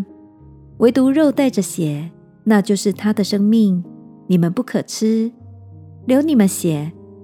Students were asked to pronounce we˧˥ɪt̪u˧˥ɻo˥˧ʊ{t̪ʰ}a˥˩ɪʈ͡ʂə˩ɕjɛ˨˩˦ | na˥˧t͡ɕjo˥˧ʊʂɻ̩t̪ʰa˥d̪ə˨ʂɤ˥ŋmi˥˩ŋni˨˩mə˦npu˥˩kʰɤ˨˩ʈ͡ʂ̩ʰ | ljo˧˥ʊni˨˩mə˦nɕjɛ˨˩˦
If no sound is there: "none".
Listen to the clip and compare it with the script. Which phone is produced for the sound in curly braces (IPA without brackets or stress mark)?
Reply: t̪